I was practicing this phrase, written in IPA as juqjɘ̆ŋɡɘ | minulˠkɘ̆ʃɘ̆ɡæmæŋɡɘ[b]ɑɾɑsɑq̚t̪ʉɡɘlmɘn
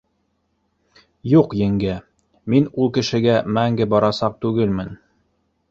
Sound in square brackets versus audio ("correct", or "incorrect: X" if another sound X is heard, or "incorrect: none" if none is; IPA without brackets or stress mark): correct